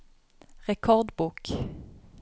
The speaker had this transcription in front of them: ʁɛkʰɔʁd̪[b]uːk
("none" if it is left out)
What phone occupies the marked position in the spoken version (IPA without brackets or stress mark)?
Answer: b